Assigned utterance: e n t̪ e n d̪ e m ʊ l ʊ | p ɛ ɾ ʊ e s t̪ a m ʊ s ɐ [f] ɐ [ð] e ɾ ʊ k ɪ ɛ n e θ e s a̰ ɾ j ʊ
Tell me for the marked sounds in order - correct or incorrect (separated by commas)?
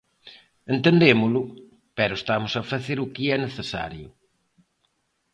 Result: correct, incorrect